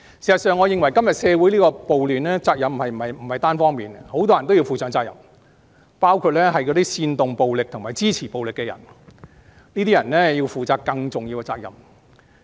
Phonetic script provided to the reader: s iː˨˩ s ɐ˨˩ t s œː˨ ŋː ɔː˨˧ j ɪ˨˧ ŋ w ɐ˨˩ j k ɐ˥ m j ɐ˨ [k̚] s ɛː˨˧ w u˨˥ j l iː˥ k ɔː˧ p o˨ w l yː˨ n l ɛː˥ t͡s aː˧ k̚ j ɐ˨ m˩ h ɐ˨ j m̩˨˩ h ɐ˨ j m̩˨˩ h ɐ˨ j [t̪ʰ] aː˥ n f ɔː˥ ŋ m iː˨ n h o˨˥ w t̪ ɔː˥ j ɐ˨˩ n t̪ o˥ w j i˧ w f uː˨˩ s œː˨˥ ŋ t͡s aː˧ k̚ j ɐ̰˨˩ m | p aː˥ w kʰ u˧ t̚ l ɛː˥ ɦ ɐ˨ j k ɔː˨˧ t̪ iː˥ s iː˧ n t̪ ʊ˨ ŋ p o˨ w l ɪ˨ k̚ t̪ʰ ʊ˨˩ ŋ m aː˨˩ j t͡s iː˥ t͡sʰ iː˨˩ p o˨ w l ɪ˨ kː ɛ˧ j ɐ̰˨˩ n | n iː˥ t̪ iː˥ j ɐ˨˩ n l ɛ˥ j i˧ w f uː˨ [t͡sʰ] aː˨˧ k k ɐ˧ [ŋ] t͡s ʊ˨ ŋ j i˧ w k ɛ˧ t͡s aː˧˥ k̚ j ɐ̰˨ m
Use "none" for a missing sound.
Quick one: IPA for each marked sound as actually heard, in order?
t̚, t̪, t͡s, ŋ

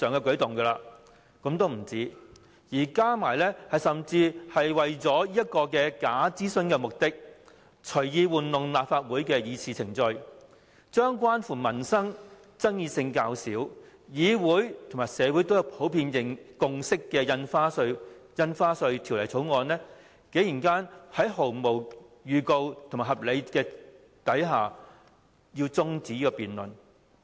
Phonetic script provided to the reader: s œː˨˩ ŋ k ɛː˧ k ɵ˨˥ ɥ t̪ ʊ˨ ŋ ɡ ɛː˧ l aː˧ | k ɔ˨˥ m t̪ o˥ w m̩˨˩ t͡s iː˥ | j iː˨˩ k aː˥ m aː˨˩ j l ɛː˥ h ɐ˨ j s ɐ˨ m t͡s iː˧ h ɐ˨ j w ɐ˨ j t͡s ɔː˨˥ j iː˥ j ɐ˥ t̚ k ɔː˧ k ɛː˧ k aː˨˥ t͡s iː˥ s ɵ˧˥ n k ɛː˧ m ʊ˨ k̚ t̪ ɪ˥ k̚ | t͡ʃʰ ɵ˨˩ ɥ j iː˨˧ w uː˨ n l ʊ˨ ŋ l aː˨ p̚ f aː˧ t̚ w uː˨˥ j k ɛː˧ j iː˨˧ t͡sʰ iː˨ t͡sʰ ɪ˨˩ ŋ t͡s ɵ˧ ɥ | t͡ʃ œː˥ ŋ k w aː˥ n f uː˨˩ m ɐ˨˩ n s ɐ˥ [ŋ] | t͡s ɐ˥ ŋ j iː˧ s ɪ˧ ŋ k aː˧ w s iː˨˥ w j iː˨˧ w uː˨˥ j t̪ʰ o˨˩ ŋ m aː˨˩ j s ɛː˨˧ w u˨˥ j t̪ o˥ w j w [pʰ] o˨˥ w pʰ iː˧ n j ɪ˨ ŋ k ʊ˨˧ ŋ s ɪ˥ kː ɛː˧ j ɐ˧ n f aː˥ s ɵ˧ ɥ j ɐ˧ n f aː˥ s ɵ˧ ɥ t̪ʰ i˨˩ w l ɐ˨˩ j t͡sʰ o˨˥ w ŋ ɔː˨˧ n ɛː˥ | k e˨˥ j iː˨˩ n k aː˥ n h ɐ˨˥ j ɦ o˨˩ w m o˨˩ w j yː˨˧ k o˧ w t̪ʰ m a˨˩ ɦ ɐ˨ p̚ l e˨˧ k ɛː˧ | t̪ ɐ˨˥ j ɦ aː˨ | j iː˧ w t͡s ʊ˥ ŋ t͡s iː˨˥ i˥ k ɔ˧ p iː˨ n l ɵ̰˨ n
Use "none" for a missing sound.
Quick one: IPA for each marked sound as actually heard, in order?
ŋ, pʰ

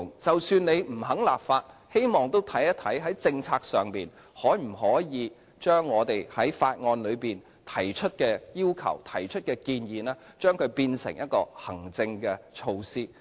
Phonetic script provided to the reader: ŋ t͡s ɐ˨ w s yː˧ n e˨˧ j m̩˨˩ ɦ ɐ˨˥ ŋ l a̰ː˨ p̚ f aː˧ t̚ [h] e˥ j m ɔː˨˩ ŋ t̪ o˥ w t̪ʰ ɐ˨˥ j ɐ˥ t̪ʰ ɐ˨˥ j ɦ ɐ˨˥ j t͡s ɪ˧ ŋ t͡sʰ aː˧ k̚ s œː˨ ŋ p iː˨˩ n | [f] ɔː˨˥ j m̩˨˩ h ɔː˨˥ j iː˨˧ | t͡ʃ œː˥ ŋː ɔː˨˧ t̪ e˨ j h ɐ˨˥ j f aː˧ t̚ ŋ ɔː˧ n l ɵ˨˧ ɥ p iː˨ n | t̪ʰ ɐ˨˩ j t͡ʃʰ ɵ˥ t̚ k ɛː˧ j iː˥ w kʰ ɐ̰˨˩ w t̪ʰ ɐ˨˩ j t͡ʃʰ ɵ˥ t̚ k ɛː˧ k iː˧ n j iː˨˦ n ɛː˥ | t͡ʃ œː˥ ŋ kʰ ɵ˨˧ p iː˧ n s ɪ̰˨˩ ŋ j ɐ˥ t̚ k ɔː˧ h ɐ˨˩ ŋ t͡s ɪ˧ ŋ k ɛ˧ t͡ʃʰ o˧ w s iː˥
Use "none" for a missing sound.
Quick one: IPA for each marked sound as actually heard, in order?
h, h

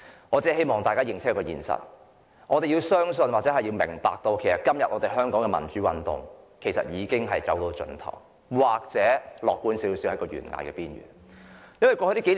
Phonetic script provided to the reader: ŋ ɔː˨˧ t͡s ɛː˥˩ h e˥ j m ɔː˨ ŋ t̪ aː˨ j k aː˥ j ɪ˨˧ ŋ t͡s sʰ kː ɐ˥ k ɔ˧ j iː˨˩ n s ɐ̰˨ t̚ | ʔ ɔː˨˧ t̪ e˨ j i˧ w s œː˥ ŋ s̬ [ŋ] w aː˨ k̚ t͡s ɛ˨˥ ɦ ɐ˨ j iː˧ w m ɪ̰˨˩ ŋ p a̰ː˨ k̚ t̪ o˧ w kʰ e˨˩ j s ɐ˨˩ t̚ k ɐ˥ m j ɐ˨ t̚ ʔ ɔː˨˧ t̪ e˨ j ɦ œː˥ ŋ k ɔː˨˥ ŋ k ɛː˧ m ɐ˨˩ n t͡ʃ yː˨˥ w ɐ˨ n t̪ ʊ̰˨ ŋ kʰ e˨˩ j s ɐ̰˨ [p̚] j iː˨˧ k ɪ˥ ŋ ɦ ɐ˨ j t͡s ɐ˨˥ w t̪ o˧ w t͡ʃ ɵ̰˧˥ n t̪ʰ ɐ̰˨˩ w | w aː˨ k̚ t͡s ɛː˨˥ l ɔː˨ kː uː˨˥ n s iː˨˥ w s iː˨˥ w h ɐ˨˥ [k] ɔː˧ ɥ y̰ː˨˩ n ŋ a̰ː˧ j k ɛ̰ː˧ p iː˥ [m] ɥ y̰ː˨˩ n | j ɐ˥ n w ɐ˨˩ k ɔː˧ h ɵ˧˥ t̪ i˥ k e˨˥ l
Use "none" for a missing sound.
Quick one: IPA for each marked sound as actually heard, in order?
n, t̚, k, n

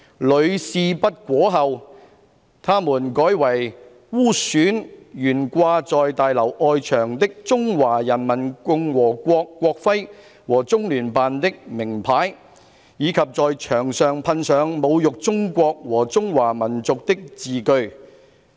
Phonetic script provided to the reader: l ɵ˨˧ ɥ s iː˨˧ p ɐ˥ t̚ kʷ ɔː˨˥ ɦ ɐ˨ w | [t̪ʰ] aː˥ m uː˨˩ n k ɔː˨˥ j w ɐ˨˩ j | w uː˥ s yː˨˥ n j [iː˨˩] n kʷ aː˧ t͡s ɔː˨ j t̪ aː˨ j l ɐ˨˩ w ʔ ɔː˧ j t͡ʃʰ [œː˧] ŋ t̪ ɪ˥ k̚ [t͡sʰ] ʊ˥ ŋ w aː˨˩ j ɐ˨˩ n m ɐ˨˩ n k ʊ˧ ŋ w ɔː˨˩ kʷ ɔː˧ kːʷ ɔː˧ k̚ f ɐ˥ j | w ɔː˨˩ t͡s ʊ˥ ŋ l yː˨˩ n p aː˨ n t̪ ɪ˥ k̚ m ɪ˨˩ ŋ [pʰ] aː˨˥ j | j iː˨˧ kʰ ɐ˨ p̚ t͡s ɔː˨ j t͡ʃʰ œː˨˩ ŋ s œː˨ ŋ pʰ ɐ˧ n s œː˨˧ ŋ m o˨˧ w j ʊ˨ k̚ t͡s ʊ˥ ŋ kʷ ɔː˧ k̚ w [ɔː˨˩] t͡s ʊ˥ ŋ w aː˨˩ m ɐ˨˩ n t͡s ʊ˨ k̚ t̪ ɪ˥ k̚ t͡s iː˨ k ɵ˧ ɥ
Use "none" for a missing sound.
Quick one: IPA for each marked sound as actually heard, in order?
t̪ʰ, yː˨˩, œː˨˩, t͡s, pʰ, ɔː˨˩

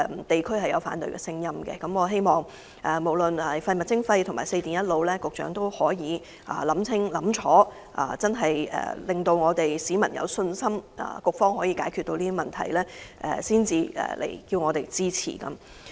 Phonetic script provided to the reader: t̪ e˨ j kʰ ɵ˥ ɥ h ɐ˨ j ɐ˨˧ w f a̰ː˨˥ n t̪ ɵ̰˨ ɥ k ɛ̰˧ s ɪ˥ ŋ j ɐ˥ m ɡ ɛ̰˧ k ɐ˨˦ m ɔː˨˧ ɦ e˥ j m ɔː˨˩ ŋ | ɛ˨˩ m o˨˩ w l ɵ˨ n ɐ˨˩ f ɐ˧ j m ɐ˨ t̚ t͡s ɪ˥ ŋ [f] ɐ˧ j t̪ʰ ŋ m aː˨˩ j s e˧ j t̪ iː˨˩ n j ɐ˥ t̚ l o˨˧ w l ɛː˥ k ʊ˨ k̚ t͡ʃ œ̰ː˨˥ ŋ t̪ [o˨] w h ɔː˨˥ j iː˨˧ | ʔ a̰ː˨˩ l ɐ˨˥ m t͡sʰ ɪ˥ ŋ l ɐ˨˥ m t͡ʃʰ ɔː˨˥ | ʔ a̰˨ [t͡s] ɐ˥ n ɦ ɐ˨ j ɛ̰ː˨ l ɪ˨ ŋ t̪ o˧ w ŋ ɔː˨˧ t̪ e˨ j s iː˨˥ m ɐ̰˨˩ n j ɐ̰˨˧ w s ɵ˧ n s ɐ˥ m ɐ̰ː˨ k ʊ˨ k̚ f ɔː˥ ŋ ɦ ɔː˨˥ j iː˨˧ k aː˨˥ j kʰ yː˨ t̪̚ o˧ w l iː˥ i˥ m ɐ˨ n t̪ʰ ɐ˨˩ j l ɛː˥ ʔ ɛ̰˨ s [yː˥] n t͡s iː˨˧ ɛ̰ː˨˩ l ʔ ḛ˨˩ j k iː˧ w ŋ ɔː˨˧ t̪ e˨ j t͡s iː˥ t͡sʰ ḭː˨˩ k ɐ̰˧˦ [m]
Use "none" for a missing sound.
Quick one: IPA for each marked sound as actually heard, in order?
f, o˥, t͡s, iː˥, m

